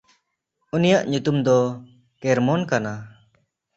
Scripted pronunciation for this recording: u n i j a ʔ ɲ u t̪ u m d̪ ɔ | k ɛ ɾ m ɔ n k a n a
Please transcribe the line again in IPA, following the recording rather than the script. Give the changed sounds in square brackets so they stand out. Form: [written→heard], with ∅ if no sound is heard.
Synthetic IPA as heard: u n i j a ʔ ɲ u t̪ u m d̪ ɔ | k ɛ ɾ m ɔ n k a n a